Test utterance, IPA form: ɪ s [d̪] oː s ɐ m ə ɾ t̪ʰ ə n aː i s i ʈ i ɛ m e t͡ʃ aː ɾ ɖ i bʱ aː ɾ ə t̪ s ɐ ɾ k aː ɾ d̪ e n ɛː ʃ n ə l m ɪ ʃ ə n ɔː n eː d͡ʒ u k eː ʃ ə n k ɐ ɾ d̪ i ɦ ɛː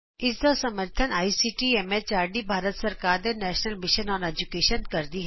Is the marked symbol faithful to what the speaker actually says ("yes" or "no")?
yes